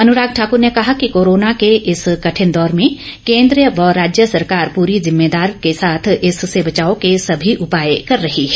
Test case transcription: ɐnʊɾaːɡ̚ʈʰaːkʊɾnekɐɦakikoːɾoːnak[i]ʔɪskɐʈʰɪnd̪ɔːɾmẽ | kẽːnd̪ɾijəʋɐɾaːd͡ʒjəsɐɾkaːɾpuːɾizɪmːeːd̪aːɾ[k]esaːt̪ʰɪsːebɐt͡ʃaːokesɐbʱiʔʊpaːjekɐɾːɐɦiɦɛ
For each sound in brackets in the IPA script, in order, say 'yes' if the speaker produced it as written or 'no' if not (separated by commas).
no, yes